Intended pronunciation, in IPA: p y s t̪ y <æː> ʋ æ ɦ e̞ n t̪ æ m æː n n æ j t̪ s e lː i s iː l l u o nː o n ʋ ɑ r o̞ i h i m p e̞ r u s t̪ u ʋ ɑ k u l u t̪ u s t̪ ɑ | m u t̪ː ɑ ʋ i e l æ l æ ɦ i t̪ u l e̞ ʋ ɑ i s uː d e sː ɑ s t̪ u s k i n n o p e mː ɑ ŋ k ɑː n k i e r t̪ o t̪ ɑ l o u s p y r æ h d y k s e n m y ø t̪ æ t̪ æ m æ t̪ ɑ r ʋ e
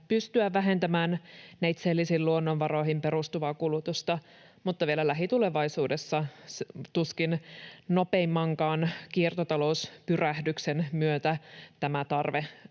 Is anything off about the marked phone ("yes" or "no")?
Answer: yes